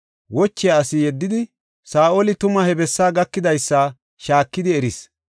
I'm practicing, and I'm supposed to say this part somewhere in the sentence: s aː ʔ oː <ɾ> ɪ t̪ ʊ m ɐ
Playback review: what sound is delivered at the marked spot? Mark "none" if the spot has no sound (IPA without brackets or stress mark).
l